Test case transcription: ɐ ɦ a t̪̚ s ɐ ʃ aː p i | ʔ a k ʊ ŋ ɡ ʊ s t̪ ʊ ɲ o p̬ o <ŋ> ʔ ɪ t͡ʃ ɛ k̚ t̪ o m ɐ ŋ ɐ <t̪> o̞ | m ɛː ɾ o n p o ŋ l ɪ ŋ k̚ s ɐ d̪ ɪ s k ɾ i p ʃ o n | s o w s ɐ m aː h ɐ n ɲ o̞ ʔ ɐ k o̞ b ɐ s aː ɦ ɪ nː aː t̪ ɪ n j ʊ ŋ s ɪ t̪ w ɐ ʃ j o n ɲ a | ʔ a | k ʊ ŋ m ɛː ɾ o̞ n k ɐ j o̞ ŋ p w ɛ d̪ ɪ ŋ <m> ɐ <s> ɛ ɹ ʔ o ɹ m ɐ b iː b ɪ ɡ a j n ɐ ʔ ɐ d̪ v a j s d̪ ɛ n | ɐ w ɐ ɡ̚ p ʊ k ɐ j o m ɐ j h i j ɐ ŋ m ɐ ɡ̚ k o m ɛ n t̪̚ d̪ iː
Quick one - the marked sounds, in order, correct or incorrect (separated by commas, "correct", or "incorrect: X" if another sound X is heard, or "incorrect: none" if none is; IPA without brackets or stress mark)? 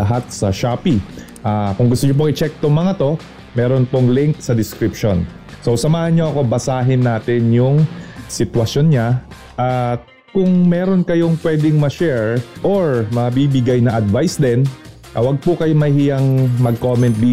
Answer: correct, correct, correct, incorrect: ʃ